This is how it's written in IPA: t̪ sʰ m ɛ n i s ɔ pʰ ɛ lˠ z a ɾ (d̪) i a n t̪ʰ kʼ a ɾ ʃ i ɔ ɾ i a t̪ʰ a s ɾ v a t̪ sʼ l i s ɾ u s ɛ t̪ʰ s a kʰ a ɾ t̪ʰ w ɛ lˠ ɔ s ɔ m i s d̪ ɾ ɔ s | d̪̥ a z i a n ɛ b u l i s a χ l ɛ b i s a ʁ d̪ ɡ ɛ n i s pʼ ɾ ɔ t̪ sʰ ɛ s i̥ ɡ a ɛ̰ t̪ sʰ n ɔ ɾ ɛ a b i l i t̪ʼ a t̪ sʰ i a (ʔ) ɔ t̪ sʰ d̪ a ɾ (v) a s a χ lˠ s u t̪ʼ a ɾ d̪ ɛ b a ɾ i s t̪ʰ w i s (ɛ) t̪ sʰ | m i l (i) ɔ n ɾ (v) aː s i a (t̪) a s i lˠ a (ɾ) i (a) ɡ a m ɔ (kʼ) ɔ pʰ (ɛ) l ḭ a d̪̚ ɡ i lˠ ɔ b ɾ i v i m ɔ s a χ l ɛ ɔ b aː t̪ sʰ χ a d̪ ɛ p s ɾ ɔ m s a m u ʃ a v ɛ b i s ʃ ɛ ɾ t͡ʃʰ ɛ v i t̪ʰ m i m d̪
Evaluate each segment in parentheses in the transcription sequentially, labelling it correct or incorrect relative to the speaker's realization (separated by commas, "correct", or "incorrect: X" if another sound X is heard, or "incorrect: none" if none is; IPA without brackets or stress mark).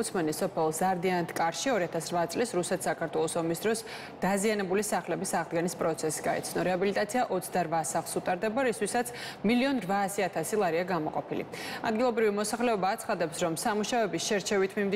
correct, correct, correct, incorrect: a, correct, correct, incorrect: t̪ʰ, correct, correct, incorrect: qʼ, incorrect: i